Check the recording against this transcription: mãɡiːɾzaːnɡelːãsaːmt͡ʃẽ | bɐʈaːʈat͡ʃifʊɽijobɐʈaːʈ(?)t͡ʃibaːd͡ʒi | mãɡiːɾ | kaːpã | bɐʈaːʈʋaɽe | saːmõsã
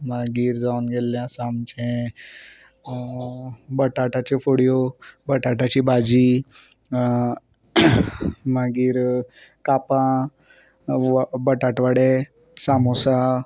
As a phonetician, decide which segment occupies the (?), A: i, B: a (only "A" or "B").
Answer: B